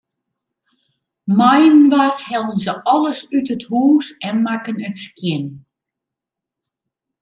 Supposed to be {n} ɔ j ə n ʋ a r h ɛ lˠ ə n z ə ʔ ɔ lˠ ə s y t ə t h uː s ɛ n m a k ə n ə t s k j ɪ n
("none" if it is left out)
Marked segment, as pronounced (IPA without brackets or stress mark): m